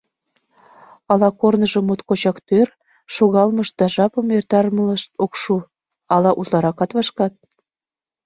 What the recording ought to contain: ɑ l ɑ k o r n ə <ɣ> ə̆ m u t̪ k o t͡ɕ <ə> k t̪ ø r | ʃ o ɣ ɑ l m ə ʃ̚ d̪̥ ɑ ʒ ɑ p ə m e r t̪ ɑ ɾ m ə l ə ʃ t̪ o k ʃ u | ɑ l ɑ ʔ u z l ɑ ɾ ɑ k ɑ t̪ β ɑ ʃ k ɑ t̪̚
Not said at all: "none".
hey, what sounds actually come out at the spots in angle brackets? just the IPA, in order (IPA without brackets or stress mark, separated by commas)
ʒ, ɑ